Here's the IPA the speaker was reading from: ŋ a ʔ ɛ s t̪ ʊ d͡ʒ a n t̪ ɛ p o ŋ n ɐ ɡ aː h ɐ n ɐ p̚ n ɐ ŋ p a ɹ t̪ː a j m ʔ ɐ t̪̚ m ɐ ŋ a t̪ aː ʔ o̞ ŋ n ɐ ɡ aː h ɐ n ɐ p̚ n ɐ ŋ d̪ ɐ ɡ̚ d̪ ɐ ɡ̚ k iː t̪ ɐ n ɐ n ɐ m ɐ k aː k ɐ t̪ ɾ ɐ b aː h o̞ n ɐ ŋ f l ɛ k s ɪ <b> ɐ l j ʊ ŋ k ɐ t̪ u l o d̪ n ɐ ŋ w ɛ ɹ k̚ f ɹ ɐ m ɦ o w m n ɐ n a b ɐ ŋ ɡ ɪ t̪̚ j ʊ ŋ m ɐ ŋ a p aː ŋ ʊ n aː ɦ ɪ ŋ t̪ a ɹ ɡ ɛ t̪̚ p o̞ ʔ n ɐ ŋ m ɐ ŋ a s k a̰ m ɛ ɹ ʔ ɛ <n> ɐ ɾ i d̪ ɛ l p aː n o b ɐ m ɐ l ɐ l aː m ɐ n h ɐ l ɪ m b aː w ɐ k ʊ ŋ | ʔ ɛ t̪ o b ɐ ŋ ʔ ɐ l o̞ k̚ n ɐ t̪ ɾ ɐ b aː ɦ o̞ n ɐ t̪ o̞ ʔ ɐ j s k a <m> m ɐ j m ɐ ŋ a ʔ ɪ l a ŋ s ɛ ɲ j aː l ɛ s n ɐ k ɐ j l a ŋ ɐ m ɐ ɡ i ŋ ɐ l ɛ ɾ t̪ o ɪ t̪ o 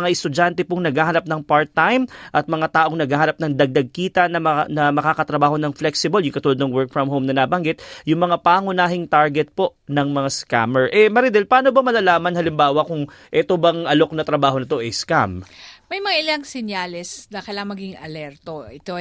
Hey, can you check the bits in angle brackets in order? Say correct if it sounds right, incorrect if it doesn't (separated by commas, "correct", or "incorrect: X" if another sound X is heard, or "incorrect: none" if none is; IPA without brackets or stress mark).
correct, incorrect: m, correct